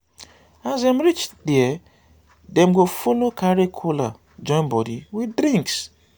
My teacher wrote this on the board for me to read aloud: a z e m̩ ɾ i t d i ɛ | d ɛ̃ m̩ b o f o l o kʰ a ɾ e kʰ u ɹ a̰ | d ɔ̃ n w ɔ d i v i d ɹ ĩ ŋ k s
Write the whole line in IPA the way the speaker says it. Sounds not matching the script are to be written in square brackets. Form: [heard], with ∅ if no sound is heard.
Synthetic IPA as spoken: a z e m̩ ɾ i [t͡ʃ] d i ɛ | d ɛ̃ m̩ [ɡ] o f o l o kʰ a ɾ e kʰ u [l] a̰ | [d͡ʒ] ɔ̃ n [b] ɔ d i [w] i d [ɾ] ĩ ŋ k s

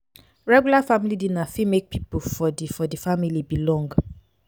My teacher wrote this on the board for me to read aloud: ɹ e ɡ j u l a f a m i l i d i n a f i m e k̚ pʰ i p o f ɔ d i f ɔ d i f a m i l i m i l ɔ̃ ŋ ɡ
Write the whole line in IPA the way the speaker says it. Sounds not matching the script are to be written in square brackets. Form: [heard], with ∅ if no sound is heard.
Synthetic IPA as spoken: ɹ [ɛ] ɡ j u l a f a m i l i d i n a f i m e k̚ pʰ i p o f ɔ d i f ɔ d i f a m i l i [b] i l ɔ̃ ŋ ɡ

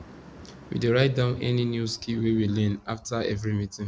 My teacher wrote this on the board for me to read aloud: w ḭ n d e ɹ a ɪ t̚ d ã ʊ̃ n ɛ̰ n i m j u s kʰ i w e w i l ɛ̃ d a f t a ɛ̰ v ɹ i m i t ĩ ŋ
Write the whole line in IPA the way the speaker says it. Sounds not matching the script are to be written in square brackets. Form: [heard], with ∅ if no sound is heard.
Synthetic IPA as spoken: w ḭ [∅] d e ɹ a ɪ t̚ d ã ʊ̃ n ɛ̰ n i [n] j u s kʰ i w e w i l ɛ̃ [n] a f t a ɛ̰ v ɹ i m i t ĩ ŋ

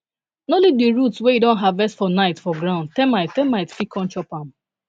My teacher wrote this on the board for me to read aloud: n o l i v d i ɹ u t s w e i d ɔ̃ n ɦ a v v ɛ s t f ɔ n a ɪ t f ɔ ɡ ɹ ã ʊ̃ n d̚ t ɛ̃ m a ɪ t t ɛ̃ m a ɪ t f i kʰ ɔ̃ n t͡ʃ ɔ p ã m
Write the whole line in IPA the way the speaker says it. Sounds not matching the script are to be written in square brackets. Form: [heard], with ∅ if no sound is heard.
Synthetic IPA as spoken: n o l i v d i ɹ u t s w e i d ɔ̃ n ɦ a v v ɛ s t f ɔ n a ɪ t f ɔ ɡ ɹ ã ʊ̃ n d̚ t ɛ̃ m a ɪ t t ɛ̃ m a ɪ t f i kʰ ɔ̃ n t͡ʃ ɔ p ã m

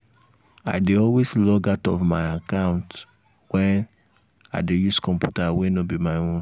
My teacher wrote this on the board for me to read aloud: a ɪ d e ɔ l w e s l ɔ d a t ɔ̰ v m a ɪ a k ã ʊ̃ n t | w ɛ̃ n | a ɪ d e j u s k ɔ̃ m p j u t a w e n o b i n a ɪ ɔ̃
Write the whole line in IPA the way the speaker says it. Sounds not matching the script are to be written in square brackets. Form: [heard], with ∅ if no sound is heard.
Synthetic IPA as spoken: a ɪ d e ɔ l w e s l ɔ [ɡ] a t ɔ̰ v m a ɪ a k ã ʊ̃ n t | w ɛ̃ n | a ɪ d e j u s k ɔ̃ m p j u t a w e n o b i [m] a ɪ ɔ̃

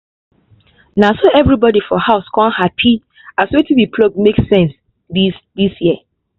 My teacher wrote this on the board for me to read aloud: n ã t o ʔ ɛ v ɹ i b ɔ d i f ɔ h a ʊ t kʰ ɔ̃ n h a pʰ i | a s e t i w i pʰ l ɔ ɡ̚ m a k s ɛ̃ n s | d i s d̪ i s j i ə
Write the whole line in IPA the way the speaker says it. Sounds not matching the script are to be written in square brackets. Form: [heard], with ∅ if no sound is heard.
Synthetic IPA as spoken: n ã [s] o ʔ ɛ v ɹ i b ɔ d i f ɔ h a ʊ [s] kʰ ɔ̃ n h a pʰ i | a s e t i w i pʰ l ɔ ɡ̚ m [e] k s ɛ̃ n s | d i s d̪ i s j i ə

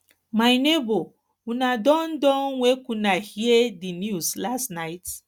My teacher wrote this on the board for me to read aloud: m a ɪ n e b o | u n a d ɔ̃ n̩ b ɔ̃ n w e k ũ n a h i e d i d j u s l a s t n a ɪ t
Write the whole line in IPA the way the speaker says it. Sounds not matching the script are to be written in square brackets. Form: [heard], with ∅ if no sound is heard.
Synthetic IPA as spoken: m a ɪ n e b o | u n a d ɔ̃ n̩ [d] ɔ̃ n w e k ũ n a h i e d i [n] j u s l a s t n a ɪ t

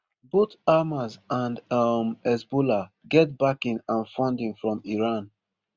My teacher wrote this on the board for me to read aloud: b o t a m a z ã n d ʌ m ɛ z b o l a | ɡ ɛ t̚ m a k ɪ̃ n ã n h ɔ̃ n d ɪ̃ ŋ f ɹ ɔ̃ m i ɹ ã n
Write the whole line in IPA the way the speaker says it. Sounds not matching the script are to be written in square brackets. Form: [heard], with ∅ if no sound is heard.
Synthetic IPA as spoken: b o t a m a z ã n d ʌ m ɛ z b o l a | ɡ ɛ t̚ [b] a k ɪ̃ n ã n [f] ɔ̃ n d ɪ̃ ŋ f ɹ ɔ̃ m i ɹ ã n

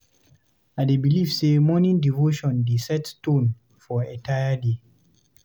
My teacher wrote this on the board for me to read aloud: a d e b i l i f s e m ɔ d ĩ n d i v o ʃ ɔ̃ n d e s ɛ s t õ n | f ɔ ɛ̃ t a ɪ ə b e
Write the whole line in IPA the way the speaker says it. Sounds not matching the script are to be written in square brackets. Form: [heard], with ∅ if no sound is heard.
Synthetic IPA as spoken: a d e b i l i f s e m ɔ [n] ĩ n d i v o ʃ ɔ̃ n d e s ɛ [t] t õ n | f ɔ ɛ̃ t a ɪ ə [d] e

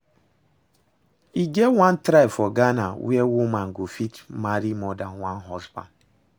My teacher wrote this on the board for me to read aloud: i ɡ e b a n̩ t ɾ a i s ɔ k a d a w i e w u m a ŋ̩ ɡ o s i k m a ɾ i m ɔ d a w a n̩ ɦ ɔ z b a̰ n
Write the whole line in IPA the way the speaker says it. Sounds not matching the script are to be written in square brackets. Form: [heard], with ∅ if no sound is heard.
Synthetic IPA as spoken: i ɡ e [w] a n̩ t ɾ a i [f] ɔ [ɡ] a [n] a w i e w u m a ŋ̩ ɡ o [f] i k m a ɾ i m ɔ d a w a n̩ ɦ ɔ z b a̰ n

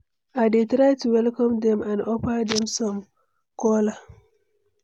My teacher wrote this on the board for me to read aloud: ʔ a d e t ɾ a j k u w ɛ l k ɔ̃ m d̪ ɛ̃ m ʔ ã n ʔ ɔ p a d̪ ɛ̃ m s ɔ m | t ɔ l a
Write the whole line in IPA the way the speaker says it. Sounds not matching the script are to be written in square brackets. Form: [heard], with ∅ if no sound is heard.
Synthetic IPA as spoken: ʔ a d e t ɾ a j [t] u w ɛ l k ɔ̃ m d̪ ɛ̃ m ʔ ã n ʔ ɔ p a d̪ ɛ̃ m s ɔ m | [k] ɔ l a

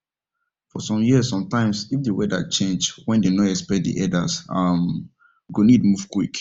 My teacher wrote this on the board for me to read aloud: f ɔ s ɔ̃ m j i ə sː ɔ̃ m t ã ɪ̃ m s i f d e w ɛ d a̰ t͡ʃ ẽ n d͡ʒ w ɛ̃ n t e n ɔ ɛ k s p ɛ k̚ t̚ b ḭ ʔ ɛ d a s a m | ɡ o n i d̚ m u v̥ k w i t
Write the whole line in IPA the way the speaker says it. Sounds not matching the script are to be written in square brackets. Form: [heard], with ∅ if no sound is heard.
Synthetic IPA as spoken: f ɔ s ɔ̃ m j i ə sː ɔ̃ m t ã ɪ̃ m s i f d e w ɛ d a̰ t͡ʃ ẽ n d͡ʒ w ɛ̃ n [d] e n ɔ ɛ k s p ɛ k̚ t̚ [d] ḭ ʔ ɛ d a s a m | ɡ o n i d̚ m u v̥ k w i [k]

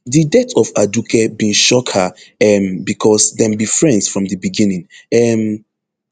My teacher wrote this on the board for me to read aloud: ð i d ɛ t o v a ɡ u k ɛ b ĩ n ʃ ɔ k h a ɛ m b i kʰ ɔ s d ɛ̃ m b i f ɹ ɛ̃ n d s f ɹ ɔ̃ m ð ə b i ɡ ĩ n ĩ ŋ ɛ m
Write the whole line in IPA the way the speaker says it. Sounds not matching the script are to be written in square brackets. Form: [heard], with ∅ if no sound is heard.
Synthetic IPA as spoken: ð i d ɛ t [ɔ] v a [d] u k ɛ b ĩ n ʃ ɔ k h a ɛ m b i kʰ ɔ s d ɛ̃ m b i f ɹ ɛ̃ n d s f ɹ ɔ̃ m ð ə b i ɡ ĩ n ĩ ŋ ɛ m

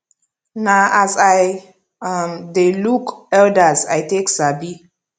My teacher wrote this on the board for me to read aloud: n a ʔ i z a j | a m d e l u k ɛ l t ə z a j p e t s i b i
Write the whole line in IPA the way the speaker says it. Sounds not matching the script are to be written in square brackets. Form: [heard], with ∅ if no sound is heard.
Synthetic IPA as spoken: n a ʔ [a] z a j | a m d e l u k ɛ l [d] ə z a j [t] e [k] s [a] b i

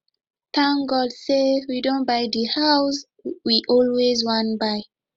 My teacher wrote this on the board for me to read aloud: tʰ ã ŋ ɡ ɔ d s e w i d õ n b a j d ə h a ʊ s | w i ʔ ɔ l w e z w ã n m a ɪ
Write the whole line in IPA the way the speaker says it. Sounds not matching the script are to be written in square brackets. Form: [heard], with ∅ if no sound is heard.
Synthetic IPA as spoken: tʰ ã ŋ ɡ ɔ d s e w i d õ n b a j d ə h a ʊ s | w i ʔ ɔ l w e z w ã n [b] a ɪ

